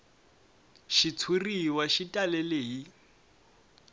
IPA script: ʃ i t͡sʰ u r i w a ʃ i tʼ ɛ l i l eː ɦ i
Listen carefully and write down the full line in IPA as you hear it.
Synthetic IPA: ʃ i t͡sʰ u r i w a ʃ i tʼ a l ɛ l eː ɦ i